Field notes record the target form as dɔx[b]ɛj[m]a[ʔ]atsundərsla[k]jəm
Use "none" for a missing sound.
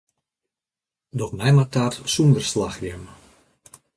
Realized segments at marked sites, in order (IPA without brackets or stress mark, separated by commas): m, m, t, x